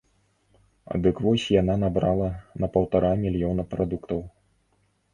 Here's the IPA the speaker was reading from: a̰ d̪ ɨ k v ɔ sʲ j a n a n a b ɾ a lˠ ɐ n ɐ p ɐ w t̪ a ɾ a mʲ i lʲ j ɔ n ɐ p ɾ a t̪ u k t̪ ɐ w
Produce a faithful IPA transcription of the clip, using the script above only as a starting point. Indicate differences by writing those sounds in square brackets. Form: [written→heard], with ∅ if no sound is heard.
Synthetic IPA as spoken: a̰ d̪ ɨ k v ɔ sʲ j a n a n a b ɾ a lˠ ɐ n ɐ p ɐ w t̪ a ɾ a mʲ i lʲ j ɔ n ɐ p ɾ a [t̪→d̪] u k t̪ ɐ w